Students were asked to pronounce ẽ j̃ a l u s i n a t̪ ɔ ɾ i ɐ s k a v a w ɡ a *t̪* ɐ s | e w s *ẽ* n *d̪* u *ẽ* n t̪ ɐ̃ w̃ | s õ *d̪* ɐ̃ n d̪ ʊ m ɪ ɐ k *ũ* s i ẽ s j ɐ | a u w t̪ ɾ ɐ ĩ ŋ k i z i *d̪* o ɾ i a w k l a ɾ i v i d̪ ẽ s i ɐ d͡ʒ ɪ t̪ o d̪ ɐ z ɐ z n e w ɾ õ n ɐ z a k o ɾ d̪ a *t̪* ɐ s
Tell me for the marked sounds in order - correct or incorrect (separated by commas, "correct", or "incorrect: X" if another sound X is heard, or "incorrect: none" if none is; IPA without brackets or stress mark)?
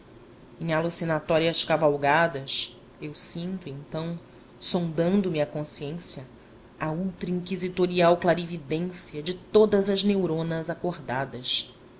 incorrect: d̪, incorrect: ĩ, incorrect: t̪, correct, correct, incorrect: õ, incorrect: t̪, incorrect: d̪